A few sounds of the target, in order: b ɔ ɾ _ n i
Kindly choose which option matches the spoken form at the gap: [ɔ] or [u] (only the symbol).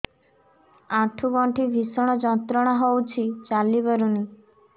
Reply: u